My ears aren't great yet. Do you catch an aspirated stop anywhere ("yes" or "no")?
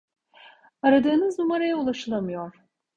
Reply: no